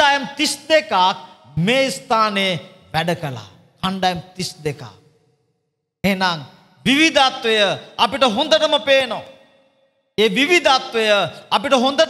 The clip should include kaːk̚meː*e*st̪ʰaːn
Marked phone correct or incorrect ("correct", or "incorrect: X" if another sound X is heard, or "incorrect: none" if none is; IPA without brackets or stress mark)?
incorrect: i